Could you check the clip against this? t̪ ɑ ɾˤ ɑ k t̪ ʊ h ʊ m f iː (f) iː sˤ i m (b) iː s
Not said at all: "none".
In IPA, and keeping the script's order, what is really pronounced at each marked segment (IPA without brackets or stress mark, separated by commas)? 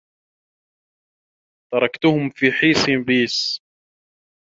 ħ, b